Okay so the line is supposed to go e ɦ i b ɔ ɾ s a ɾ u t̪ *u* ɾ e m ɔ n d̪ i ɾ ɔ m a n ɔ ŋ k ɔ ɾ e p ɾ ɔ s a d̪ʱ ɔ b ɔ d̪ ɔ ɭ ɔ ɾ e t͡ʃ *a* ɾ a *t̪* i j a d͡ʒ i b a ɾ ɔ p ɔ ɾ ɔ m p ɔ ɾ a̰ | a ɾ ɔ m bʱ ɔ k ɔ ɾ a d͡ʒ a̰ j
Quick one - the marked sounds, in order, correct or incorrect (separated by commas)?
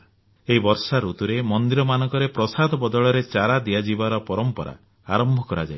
correct, correct, incorrect